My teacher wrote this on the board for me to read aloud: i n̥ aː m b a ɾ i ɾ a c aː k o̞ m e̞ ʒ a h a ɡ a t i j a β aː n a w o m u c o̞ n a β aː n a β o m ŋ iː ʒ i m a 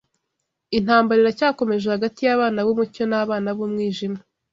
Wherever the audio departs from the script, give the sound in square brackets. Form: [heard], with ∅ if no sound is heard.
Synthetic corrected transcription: i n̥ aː m b a ɾ i ɾ a c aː k o̞ m e̞ ʒ [e] h a ɡ a t i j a β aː n a [β] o m u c o̞ n a β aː n a β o m ŋ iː ʒ i m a